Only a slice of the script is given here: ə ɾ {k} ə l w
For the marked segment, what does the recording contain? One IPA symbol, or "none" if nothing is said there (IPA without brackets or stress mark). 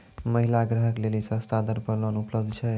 p